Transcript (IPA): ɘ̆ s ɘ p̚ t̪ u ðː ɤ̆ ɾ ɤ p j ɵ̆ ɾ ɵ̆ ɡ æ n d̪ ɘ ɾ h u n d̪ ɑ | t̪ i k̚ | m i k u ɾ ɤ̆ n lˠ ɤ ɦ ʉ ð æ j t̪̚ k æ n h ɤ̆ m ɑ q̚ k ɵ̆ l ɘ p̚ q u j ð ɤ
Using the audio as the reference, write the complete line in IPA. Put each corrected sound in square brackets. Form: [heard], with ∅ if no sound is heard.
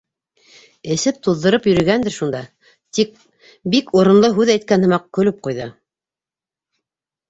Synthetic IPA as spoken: ɘ̆ s ɘ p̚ t̪ u ðː ɤ̆ ɾ ɤ p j ɵ̆ ɾ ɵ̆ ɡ æ n d̪ ɘ ɾ [ʃ] u n d̪ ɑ | t̪ i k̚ | [b] i k u ɾ ɤ̆ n lˠ ɤ ɦ ʉ ð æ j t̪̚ k æ n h ɤ̆ m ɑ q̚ k ɵ̆ l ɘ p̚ q u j ð ɤ